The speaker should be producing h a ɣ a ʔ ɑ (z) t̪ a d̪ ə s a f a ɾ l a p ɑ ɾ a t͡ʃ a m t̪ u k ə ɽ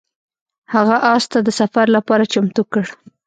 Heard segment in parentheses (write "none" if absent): s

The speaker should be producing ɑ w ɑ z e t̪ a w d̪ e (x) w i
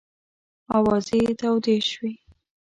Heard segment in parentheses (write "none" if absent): ʃ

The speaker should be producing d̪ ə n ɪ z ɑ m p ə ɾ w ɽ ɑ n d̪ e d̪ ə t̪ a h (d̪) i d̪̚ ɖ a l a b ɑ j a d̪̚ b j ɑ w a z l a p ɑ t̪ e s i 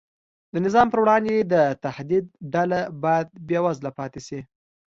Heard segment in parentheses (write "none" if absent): d̪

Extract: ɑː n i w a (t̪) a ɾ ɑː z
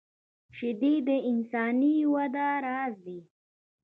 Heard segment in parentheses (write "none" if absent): d̪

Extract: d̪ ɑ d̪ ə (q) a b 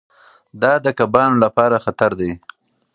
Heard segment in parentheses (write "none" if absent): k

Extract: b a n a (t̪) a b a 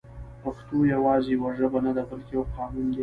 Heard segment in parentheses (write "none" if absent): d̪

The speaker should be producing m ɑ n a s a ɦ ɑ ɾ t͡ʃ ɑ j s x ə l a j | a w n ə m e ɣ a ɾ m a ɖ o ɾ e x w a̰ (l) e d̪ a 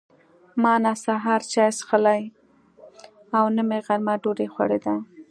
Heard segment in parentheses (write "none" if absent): ɽ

